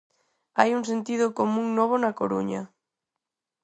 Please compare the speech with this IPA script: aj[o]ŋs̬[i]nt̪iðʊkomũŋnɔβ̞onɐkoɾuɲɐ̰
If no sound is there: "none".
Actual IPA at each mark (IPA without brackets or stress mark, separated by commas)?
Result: u, e